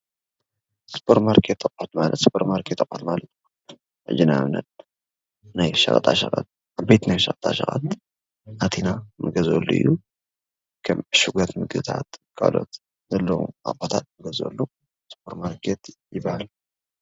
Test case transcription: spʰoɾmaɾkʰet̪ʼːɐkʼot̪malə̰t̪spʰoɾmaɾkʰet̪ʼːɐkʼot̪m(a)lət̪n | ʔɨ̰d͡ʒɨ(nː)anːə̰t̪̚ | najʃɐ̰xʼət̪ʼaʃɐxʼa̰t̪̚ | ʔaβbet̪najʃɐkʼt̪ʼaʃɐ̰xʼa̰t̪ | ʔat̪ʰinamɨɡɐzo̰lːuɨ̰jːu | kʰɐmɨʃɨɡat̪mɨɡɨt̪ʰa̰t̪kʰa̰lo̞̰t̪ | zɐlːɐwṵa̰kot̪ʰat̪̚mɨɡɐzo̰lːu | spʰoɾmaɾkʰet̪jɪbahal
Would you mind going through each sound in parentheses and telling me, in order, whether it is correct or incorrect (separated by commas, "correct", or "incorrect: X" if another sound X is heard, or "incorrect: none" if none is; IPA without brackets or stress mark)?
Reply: correct, incorrect: n